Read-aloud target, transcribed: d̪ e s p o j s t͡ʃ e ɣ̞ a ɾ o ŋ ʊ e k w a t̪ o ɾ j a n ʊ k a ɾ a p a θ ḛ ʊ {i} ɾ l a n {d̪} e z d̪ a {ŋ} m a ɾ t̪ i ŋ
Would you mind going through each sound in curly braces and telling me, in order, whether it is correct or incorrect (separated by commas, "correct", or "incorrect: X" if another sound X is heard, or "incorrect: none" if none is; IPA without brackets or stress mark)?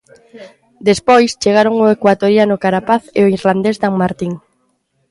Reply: correct, correct, correct